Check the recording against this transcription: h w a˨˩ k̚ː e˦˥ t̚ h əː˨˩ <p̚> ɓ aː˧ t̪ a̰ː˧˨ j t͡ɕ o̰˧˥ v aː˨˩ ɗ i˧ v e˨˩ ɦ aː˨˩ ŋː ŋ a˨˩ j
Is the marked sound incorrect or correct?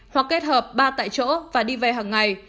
correct